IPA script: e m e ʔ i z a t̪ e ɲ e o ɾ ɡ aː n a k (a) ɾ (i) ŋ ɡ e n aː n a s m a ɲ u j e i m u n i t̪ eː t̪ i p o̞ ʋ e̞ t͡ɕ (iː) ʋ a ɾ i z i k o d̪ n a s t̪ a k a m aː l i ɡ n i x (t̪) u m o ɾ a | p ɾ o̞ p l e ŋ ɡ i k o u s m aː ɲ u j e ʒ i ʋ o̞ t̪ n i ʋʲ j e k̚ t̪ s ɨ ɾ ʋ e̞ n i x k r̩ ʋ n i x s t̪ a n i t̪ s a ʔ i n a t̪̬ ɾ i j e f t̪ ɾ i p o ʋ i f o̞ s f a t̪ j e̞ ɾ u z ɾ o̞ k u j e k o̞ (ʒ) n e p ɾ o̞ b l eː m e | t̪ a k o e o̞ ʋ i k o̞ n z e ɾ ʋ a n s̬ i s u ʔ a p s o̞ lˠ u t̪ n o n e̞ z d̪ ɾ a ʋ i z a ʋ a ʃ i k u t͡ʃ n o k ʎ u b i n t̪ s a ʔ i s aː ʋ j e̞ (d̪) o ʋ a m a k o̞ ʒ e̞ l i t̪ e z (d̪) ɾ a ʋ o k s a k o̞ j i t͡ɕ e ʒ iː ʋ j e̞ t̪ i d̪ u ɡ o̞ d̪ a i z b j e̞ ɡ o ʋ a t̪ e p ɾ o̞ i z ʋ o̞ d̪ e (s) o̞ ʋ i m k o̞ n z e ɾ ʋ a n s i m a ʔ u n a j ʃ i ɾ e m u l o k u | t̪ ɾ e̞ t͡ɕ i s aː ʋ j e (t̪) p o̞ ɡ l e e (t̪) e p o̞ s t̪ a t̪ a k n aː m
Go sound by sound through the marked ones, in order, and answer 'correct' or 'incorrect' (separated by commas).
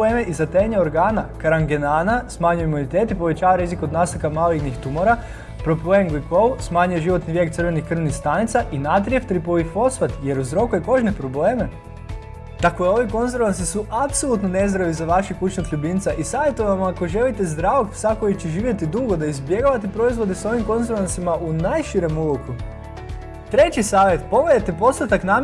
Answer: correct, incorrect, incorrect, correct, correct, incorrect, correct, correct, correct, correct